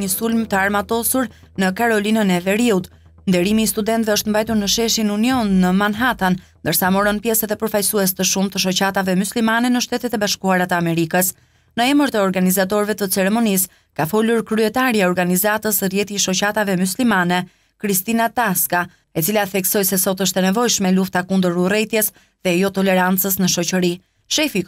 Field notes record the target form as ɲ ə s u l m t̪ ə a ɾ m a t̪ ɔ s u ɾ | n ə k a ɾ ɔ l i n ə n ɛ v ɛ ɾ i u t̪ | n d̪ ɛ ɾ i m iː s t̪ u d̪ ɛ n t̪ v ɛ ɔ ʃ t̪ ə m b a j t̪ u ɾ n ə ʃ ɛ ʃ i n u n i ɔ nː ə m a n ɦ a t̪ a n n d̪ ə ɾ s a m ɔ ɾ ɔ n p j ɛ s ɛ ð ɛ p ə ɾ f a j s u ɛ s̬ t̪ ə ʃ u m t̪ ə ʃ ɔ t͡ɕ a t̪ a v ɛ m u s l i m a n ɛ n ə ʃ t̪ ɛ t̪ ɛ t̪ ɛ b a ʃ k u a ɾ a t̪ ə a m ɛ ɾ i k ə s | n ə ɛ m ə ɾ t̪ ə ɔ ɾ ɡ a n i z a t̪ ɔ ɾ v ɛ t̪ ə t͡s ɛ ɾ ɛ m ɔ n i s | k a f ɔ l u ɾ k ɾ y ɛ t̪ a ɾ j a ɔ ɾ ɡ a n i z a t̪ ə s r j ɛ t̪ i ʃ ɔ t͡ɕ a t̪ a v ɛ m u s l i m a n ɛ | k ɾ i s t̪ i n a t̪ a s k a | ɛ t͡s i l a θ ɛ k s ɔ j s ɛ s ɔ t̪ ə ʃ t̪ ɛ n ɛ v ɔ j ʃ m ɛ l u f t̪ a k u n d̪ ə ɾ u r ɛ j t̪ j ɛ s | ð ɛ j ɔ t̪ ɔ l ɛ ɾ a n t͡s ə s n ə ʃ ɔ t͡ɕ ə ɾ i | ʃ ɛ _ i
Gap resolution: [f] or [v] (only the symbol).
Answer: f